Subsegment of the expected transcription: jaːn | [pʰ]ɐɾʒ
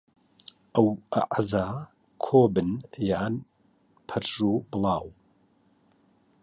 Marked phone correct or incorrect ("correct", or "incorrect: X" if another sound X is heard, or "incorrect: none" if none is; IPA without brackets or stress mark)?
correct